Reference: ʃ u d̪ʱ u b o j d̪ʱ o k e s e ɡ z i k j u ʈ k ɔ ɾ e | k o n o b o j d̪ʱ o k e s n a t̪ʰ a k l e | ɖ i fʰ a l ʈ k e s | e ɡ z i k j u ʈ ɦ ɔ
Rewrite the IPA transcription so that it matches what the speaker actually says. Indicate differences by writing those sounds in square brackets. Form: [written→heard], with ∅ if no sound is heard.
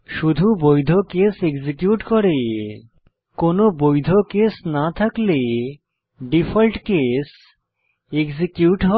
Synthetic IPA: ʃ u d̪ʱ u b o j d̪ʱ o k e s e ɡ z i k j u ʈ k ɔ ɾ e | k o n o b o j d̪ʱ o k e s n a t̪ʰ a k l e | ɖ i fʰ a l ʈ k e s | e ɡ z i k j u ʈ ɦ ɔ